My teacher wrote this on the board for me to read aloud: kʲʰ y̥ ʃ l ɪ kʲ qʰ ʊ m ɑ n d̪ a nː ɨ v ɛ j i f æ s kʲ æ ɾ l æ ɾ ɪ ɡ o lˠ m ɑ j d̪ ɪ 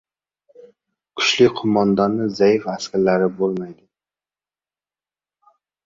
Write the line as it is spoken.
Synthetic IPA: kʲʰ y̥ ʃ l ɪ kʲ qʰ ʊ m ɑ n d̪ ɑ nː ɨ z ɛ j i f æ s kʲ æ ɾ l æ ɾ ɪ b o lˠ m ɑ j d̪ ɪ